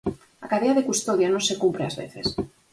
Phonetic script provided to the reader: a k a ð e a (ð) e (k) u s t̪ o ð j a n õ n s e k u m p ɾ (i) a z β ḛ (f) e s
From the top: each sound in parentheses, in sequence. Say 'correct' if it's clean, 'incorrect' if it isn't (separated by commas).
correct, correct, incorrect, incorrect